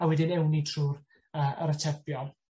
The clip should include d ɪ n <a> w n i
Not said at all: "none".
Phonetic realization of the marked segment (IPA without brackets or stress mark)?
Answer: ɛ